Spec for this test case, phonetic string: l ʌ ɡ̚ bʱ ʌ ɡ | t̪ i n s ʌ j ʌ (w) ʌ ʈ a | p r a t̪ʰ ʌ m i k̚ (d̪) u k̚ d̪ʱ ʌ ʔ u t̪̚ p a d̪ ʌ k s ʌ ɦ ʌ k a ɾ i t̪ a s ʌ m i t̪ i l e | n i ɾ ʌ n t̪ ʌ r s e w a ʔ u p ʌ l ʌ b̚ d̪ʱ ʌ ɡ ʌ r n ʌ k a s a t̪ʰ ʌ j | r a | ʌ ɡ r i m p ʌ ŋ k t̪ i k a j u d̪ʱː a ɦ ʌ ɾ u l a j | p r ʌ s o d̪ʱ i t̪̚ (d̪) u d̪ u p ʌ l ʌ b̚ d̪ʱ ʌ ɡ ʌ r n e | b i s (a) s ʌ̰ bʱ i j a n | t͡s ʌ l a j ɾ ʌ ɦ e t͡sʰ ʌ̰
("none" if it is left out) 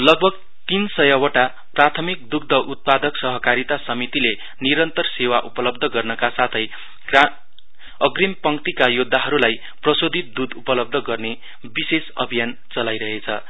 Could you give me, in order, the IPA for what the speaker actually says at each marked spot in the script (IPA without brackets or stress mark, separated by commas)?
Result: w, d̪, d̪, e